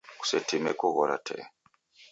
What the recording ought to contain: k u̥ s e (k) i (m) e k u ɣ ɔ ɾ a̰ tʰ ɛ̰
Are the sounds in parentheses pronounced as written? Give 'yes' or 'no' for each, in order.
no, yes

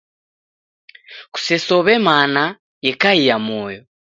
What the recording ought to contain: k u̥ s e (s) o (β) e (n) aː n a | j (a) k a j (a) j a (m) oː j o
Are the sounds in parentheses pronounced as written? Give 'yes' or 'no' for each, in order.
yes, yes, no, no, no, yes

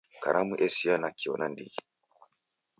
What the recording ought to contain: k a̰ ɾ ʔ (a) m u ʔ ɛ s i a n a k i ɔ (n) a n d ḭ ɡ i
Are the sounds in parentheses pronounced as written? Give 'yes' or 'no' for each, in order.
yes, yes

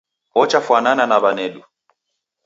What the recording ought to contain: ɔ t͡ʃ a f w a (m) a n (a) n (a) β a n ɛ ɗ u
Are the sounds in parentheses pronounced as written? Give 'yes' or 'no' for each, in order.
no, yes, yes

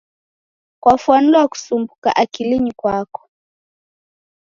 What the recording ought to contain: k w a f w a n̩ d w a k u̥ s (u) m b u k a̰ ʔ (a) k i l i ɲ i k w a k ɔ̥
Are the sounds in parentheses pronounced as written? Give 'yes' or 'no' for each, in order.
yes, yes

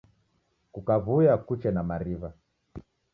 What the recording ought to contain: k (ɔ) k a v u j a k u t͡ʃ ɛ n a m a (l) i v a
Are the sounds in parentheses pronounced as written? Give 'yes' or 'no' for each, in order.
no, no

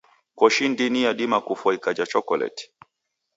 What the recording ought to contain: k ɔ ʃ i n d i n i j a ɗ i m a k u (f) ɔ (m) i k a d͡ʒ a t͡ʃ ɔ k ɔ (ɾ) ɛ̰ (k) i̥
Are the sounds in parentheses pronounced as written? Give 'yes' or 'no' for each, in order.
yes, no, no, no

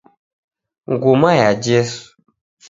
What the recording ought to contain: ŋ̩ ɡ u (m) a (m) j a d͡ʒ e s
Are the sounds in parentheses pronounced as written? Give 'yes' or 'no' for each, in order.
yes, no

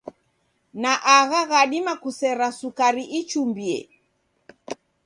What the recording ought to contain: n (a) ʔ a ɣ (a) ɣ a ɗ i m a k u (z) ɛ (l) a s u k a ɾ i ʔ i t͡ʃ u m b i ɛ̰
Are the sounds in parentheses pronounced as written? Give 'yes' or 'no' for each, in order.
yes, yes, no, no

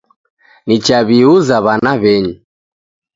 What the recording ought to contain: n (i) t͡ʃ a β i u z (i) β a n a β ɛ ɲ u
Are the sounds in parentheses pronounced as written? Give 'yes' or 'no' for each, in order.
yes, no

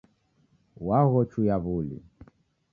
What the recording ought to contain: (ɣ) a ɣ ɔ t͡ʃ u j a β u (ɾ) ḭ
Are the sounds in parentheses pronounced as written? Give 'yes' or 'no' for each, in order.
no, no

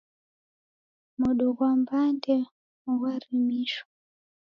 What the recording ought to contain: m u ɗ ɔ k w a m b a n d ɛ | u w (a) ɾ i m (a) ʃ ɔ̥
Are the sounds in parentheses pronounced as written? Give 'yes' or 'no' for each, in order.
yes, no

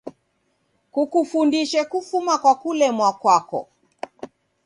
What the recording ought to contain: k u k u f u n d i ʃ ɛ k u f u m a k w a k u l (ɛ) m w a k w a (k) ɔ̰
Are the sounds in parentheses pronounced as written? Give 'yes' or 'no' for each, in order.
yes, yes

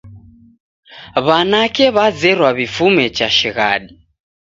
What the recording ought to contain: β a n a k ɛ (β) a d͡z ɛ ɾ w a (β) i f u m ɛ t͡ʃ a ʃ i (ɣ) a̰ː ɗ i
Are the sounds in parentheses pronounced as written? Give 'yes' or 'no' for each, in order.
yes, yes, yes

